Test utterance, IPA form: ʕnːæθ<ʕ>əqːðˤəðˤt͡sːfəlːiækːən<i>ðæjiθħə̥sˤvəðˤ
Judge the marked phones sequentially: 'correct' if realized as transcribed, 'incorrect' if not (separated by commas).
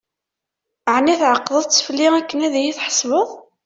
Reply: correct, incorrect